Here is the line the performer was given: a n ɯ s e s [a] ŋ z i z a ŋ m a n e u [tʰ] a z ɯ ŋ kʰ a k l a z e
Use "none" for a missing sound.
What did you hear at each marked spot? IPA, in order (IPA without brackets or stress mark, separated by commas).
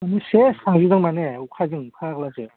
a, kʰ